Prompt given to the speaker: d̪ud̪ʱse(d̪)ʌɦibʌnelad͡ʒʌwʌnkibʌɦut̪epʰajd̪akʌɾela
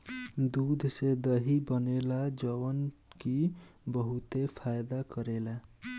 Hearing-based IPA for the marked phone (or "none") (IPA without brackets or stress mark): d̪